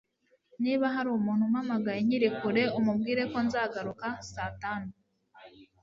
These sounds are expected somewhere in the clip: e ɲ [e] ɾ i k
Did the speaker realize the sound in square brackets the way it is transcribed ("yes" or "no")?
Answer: no